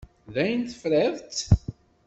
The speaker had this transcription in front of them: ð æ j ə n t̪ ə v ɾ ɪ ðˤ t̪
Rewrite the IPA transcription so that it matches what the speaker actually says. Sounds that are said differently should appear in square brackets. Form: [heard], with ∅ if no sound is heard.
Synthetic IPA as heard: ð æ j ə n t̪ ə [f] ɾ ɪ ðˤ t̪